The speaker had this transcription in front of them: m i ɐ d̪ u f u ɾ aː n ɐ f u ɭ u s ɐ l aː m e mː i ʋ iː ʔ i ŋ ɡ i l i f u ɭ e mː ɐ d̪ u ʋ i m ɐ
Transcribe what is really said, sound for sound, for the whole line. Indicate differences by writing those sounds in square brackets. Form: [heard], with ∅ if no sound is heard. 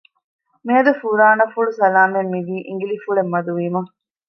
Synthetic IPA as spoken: m i ɐ d̪ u f u ɾ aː n ɐ f u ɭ u s ɐ l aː m e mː i ʋ iː ʔ i ŋ ɡ i l i f u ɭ e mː ɐ d̪ u ʋ i m ɐ

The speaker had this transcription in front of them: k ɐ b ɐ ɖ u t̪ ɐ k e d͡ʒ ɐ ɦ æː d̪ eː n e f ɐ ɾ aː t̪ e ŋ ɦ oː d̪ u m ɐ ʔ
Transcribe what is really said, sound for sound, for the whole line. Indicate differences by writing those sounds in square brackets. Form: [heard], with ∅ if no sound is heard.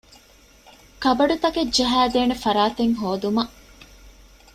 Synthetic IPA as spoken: k ɐ b ɐ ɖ u t̪ ɐ k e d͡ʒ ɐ ɦ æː d̪ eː n e f ɐ ɾ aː t̪ e ŋ ɦ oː d̪ u m ɐ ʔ

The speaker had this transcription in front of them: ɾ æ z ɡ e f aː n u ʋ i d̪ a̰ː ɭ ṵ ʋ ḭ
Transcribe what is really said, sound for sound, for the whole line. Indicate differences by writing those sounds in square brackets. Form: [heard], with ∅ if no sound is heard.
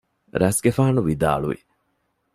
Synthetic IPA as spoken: ɾ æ [s] ɡ e f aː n u ʋ i d̪ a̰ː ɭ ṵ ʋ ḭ

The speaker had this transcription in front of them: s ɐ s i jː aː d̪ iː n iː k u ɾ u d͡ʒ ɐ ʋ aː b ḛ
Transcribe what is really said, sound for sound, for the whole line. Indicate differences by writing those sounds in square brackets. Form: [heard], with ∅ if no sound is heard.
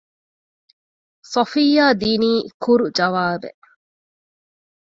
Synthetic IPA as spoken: s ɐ [f] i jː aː d̪ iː n iː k u ɾ u d͡ʒ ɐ ʋ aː b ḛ

